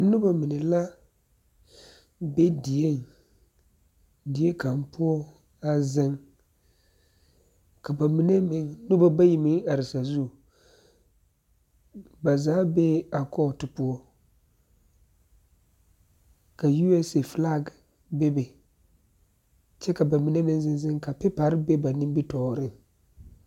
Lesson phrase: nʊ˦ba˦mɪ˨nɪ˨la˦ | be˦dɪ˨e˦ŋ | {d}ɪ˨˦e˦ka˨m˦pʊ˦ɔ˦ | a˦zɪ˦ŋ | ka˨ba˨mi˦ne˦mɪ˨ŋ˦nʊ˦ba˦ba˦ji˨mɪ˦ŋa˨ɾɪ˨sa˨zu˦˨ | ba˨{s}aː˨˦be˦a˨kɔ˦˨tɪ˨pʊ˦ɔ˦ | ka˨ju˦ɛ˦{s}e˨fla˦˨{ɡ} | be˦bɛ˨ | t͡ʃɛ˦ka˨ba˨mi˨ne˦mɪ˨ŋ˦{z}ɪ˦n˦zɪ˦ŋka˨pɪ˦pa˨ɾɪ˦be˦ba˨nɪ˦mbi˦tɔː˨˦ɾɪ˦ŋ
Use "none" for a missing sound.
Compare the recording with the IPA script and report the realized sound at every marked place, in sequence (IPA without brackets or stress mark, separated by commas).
d, z, s, ɡ, z